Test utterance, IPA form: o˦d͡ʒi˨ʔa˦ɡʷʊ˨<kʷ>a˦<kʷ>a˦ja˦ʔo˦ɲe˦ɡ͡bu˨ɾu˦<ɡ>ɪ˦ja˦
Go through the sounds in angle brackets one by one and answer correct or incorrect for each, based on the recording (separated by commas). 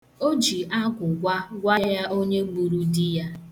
incorrect, incorrect, incorrect